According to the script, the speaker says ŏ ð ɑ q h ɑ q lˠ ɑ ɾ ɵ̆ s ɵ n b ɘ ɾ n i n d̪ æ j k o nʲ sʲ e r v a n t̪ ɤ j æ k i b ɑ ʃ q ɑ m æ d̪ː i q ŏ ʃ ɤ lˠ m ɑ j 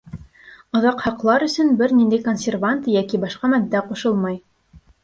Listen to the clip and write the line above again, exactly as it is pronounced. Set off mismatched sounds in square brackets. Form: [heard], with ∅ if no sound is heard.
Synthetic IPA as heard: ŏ ð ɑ q h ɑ q lˠ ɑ ɾ ɵ̆ s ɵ n b ɘ ɾ n i n d̪ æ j k o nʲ sʲ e r v a n t̪ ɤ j æ k i b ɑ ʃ q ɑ m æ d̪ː [æ] q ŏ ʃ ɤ lˠ m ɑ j